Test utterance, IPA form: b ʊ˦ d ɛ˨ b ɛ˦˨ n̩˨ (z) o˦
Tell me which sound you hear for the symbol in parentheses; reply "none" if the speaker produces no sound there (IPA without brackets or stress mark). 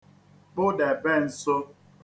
s